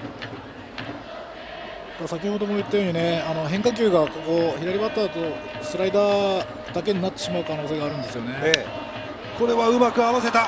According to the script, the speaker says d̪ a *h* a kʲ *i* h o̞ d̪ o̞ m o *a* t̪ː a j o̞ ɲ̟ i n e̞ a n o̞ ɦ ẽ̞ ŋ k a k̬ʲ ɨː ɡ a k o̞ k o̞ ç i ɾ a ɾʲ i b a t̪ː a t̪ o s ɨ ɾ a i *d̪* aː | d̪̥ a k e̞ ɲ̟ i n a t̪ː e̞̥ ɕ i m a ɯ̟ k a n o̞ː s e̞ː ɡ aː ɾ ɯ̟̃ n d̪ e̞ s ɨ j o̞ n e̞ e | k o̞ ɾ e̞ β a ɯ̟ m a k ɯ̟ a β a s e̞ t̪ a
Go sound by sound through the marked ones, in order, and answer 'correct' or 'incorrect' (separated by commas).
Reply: incorrect, correct, incorrect, correct